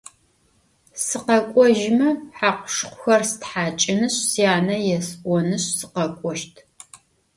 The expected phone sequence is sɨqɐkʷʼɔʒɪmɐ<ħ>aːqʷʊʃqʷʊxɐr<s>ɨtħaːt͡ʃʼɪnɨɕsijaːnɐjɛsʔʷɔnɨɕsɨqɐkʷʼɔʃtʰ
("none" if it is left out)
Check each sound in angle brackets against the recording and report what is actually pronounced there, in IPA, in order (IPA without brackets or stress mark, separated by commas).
ħ, s